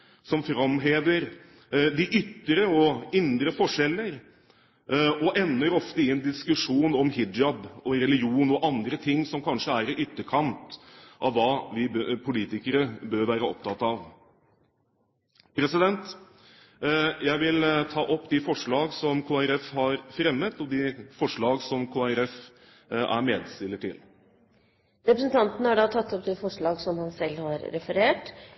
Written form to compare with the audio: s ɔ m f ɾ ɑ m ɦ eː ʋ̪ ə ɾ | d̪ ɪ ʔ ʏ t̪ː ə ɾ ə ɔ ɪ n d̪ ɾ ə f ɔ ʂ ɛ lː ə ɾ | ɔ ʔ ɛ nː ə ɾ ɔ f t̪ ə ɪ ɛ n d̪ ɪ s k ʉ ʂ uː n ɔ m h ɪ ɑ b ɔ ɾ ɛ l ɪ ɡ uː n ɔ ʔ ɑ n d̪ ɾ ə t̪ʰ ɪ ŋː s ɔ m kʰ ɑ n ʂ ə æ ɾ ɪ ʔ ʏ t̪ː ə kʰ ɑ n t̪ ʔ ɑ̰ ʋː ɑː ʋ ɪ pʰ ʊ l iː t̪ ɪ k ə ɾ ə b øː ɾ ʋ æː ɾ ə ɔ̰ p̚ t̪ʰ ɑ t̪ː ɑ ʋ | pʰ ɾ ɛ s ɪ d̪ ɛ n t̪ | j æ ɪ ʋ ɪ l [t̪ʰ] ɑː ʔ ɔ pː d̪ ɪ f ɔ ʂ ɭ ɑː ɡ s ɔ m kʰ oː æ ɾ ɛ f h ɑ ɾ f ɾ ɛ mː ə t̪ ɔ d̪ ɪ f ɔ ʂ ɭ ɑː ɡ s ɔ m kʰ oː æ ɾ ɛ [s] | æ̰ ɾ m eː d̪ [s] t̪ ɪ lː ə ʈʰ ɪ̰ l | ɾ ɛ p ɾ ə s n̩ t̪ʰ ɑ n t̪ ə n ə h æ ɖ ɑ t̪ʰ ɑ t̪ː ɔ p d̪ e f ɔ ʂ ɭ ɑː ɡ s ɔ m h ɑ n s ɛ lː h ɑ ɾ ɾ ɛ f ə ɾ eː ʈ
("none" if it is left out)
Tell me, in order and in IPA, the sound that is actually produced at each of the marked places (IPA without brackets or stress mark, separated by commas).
t̪ʰ, f, s